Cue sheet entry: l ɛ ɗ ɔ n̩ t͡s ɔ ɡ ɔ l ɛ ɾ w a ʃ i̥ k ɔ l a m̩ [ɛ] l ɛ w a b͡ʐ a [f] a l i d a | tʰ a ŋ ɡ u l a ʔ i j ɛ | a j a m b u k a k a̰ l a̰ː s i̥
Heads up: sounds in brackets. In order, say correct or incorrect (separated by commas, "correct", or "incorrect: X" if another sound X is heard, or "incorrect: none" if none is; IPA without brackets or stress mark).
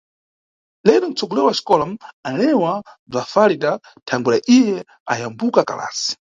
incorrect: a, correct